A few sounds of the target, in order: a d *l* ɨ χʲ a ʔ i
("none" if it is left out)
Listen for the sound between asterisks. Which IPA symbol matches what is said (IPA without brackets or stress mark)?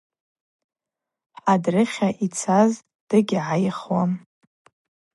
r